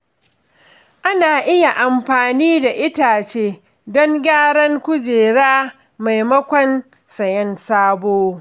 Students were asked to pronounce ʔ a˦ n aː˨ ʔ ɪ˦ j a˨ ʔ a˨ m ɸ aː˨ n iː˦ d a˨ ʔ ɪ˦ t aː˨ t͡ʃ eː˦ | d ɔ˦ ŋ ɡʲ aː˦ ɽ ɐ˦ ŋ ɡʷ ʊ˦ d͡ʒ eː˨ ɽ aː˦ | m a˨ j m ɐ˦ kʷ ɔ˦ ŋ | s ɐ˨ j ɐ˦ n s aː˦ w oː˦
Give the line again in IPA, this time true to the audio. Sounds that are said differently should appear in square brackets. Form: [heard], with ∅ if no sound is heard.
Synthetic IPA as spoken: ʔ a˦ n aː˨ ʔ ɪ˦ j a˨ ʔ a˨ m ɸ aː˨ n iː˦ d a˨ ʔ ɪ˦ t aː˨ t͡ʃ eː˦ | d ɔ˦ ŋ ɡʲ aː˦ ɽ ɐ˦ ŋ [kʷ] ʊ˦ d͡ʒ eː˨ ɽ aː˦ | m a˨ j m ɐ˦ kʷ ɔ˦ [n] | s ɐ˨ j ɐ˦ n s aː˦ [b] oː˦